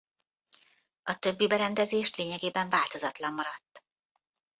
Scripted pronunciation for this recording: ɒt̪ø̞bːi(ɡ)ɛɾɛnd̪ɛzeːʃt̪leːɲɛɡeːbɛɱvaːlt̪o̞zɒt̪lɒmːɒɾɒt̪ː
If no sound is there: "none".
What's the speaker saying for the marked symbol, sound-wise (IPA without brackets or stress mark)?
b